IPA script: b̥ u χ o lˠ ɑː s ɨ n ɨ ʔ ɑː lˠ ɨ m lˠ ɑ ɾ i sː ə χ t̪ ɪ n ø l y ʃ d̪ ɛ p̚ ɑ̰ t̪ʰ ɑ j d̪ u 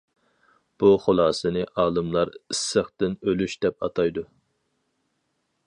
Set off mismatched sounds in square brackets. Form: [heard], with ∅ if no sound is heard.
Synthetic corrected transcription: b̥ u χ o lˠ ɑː s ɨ n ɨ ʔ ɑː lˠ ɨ m lˠ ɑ ɾ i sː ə χ t̪ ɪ n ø l y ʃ d̪ ɛ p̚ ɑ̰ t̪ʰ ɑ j d̪ u